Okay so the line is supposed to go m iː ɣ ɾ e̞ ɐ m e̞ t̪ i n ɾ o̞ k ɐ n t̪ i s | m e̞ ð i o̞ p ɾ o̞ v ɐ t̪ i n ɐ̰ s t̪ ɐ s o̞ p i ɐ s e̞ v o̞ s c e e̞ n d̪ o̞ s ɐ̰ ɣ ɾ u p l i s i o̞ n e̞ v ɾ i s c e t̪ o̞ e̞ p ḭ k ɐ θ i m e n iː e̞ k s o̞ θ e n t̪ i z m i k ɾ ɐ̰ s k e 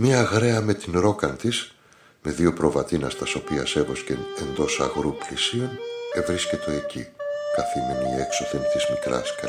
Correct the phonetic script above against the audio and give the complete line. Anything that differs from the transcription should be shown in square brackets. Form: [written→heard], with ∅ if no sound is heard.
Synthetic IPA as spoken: m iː ɣ ɾ e̞ ɐ m e̞ t̪ i n ɾ o̞ k ɐ n t̪ i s | m e̞ ð i o̞ p ɾ o̞ v ɐ t̪ i n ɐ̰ s t̪ ɐ s o̞ p i ɐ s e̞ v o̞ s c e e̞ n d̪ o̞ s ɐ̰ ɣ ɾ u p l i s i o̞ n e̞ v ɾ i s c e t̪ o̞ e̞ [p→c] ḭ k ɐ θ i m e n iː e̞ k s o̞ θ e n t̪ i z m i k ɾ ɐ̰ s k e